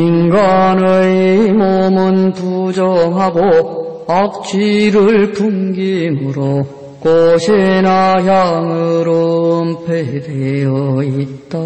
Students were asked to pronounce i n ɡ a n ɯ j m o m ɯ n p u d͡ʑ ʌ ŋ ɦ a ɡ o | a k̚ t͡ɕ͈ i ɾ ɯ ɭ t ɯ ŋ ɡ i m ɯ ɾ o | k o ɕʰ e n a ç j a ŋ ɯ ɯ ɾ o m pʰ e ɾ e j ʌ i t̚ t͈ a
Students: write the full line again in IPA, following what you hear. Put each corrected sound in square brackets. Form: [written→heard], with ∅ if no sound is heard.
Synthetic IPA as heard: i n ɡ a n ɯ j m o m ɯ n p u d͡ʑ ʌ ŋ ɦ a ɡ o | a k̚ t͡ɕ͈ i ɾ ɯ ɭ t [ɯ→u] ŋ ɡ i m ɯ ɾ o | k o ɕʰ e n a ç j a ŋ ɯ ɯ ɾ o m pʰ e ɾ e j ʌ i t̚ t͈ a

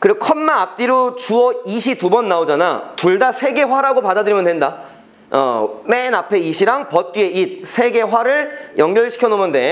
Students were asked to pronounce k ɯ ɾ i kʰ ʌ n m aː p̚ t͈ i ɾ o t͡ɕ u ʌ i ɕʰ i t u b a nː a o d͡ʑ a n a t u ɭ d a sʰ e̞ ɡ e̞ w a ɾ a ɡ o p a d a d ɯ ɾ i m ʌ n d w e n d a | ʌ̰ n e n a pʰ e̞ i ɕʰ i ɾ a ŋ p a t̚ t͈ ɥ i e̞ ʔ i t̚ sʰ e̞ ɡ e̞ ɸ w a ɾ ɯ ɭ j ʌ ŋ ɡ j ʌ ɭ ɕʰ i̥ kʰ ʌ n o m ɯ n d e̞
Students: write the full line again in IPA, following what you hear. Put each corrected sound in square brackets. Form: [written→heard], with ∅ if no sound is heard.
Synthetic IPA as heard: k ɯ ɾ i kʰ ʌ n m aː p̚ t͈ i ɾ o t͡ɕ u ʌ i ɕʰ i t u b [a→ʌ] nː a o d͡ʑ a n a t u ɭ d a sʰ e̞ ɡ e̞ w a ɾ a ɡ o p a d a d ɯ ɾ i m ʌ n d w e n d a | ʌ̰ [n→m] e n a pʰ e̞ i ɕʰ i ɾ a ŋ p [a→ʌ] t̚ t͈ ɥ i e̞ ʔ i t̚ sʰ e̞ ɡ e̞ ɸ w a ɾ ɯ ɭ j ʌ ŋ ɡ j ʌ ɭ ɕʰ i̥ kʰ ʌ n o m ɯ n d e̞

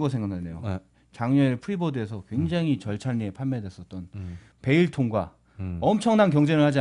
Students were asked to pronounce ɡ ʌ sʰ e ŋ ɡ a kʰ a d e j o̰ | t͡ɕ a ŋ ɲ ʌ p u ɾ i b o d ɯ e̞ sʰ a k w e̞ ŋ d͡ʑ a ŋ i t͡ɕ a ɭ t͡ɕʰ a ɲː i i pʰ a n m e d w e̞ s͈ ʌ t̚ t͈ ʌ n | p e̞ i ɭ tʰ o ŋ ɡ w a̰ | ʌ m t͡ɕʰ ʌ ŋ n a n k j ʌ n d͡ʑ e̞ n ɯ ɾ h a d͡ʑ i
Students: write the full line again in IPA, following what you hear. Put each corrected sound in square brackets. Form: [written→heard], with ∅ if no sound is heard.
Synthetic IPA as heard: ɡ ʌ sʰ e ŋ ɡ a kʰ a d e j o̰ | t͡ɕ a ŋ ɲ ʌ [p→pʰ] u ɾ i b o d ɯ e̞ sʰ [a→ʌ] k w e̞ ŋ d͡ʑ a ŋ i t͡ɕ [a→ʌ] ɭ t͡ɕʰ a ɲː i [i→e] pʰ a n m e d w e̞ s͈ ʌ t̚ t͈ ʌ n | p e̞ i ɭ tʰ o ŋ ɡ w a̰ | ʌ m t͡ɕʰ ʌ ŋ n a n k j ʌ [n→ŋ] d͡ʑ e̞ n ɯ [ɾ→ɭ] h a d͡ʑ i

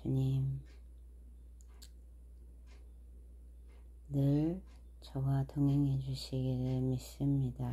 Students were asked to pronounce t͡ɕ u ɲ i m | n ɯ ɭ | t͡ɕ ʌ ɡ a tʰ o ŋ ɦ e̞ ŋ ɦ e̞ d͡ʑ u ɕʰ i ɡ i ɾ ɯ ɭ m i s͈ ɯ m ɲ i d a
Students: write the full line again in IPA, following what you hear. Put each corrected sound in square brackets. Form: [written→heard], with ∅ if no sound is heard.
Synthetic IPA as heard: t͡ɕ u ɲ i m | n ɯ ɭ | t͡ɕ ʌ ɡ a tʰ o ŋ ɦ e̞ ŋ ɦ e̞ d͡ʑ u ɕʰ i ɡ i ɾ ɯ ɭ m i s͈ ɯ m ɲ i d a

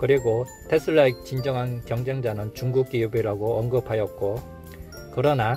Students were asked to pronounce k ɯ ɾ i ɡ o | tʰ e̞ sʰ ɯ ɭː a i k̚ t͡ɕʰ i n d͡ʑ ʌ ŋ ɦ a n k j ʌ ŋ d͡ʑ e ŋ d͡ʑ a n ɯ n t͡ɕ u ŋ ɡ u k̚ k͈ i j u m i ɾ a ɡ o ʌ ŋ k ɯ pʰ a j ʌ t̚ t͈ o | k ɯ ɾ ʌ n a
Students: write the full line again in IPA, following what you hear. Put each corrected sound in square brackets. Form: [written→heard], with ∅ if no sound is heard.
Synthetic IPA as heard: k ɯ ɾ i ɡ o | tʰ e̞ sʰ ɯ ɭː a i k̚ [t͡ɕʰ→t͡ɕ] i n d͡ʑ ʌ ŋ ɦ a n k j ʌ ŋ d͡ʑ e ŋ d͡ʑ a n ɯ n t͡ɕ u ŋ ɡ u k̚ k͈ i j u [m→b] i ɾ a ɡ o ʌ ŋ [k→ɡ] ɯ pʰ a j ʌ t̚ [t͈→k͈] o | k ɯ ɾ ʌ n a

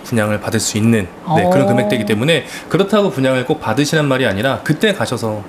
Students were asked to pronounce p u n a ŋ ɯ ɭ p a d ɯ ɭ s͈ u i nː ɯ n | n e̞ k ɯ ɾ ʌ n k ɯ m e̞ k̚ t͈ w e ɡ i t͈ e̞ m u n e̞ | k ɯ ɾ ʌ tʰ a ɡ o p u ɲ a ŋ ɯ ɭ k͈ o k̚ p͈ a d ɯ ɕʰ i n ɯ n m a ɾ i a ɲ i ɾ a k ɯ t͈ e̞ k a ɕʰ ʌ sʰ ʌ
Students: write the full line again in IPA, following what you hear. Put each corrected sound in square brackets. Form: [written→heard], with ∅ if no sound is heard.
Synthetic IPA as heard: p u [n→ɲ] a ŋ ɯ ɭ p a d ɯ ɭ s͈ u i nː ɯ n | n e̞ k ɯ ɾ ʌ n k ɯ m e̞ k̚ t͈ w e ɡ i t͈ e̞ m u n e̞ | k ɯ ɾ ʌ tʰ a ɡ o p u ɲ a ŋ ɯ ɭ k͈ o k̚ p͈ a d ɯ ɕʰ i n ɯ n m a ɾ i a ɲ i ɾ a k ɯ t͈ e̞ k a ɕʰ ʌ sʰ ʌ

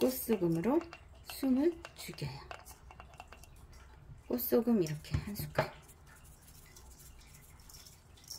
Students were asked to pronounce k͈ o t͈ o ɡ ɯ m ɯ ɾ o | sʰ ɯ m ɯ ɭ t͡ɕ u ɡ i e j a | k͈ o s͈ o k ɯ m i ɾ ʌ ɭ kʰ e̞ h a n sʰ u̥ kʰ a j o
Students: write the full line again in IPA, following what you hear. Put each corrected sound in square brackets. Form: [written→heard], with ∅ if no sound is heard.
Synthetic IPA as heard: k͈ o [t͈→s͈] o ɡ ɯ m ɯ ɾ o | sʰ [ɯ→u] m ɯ ɭ t͡ɕ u ɡ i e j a | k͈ o s͈ o [k→ɡ] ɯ m i ɾ ʌ [ɭ→∅] kʰ e̞ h a n sʰ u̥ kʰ a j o

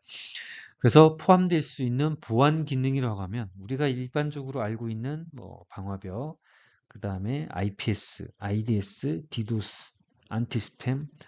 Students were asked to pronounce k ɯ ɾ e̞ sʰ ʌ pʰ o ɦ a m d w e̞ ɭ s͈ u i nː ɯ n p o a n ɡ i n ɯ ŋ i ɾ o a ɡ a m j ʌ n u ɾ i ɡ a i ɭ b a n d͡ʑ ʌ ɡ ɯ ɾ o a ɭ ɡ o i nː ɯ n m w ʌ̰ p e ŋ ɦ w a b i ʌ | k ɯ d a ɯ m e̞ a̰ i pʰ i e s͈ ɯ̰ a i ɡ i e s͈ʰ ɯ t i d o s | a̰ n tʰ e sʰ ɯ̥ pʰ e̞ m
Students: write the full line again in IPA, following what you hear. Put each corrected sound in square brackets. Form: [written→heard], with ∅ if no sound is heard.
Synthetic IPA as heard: k ɯ ɾ e̞ sʰ ʌ pʰ o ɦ a m d w e̞ ɭ s͈ u i nː ɯ n p o a n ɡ i n ɯ ŋ i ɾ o a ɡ a m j ʌ n u ɾ i ɡ a i ɭ b a n d͡ʑ ʌ ɡ ɯ ɾ o a ɭ ɡ o i nː ɯ n m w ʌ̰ p [e→a] ŋ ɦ w a b [i→j] ʌ | k ɯ d a ɯ m e̞ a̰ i pʰ i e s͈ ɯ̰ a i [ɡ→d] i e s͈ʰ ɯ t i d o s | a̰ n tʰ [e→i] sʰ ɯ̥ pʰ e̞ m

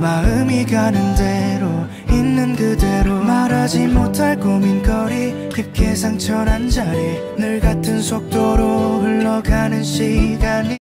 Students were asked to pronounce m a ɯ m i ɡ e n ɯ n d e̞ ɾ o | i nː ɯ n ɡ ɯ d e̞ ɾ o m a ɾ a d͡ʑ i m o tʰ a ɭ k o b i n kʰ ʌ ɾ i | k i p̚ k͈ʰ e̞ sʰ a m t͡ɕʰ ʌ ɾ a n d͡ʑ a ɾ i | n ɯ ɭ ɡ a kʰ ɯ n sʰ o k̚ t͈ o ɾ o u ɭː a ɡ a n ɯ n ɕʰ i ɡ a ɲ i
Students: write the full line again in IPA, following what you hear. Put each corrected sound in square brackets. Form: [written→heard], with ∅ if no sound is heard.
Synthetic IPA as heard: m a ɯ m i ɡ [e→a] n ɯ n d e̞ ɾ o | i nː ɯ n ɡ ɯ d e̞ ɾ o m a ɾ a d͡ʑ i m o tʰ a ɭ k o [b→m] i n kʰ ʌ ɾ i | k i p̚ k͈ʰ e̞ sʰ a [m→ŋ] t͡ɕʰ ʌ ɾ a n d͡ʑ a ɾ i | n ɯ ɭ ɡ a [kʰ→tʰ] ɯ n sʰ o k̚ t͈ o ɾ o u ɭː [a→ʌ] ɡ a n ɯ n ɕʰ i ɡ a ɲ i

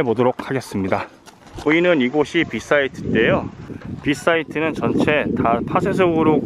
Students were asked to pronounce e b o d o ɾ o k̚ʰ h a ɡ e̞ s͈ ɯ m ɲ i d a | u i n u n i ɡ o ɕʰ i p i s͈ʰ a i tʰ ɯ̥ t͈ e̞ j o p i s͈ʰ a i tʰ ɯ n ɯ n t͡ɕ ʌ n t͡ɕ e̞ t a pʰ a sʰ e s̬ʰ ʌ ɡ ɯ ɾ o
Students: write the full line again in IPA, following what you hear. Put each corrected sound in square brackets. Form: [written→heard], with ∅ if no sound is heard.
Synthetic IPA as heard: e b o d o ɾ o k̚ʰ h a ɡ e̞ s͈ ɯ m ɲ i d a | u i n [u→ɯ] n i ɡ o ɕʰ i p i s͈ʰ a i tʰ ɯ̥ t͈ e̞ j o p i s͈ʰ a i tʰ ɯ n ɯ n t͡ɕ ʌ n [t͡ɕ→t͡ɕʰ] e̞ t a pʰ a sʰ e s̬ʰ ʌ ɡ ɯ ɾ o

